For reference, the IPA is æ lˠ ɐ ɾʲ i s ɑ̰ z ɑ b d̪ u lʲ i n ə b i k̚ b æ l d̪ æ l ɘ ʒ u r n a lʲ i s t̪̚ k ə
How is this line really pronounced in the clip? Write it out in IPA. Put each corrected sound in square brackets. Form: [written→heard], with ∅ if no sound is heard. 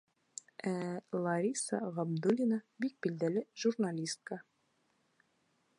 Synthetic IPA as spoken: æ lˠ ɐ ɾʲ i s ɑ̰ [z→ʁ] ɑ b d̪ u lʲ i n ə b i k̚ b [æ→i] l d̪ æ l ɘ ʒ u r n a lʲ i s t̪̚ k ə